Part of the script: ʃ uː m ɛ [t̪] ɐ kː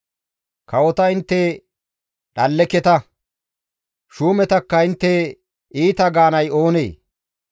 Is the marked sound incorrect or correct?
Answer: correct